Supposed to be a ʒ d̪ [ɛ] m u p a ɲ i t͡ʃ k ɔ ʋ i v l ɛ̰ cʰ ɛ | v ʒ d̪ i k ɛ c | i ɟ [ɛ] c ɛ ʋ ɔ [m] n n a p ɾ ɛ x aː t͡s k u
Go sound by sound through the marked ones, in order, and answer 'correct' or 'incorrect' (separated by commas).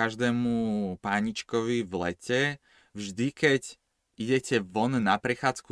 incorrect, correct, incorrect